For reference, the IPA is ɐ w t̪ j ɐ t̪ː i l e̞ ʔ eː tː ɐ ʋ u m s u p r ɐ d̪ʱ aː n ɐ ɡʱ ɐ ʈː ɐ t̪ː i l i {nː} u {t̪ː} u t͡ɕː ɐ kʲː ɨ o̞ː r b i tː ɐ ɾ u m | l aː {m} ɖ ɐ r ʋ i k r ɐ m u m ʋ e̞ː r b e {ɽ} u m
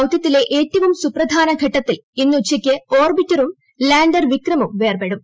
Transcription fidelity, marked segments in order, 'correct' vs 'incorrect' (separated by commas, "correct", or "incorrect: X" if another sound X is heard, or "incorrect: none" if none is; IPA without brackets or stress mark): correct, incorrect: none, incorrect: ɳ, correct